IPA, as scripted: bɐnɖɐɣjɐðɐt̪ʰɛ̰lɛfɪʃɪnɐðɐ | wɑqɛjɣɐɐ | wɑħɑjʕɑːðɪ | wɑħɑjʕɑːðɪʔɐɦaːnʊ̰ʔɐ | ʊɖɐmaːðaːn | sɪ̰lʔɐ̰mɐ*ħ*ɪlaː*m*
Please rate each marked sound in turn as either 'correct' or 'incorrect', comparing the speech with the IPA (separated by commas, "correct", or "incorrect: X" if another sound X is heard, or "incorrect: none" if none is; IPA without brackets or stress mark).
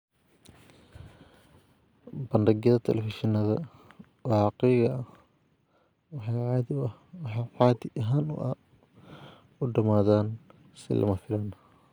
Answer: incorrect: f, incorrect: n